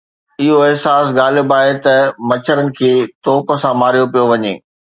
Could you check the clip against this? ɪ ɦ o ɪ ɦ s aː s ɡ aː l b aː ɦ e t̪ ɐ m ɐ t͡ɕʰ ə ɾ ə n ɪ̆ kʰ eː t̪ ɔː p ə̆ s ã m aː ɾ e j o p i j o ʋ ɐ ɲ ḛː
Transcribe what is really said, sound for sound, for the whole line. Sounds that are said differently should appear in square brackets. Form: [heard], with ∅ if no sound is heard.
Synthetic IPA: ɪ ɦ o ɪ ɦ s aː s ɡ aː l b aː ɦ e t̪ ɐ m ɐ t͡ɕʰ ə ɾ ə n ɪ̆ kʰ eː t̪ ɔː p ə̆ s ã m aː ɾ [i] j o p i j o ʋ ɐ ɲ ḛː